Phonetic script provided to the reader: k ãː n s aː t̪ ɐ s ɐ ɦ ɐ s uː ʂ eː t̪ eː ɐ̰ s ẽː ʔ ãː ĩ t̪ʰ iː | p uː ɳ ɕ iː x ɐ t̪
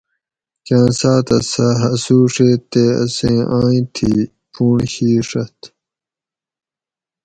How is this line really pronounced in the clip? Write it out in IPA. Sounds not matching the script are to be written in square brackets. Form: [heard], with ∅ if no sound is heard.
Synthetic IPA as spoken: k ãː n s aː t̪ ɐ s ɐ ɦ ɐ s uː ʂ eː t̪ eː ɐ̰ s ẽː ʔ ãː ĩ t̪ʰ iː | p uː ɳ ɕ iː [ʂ] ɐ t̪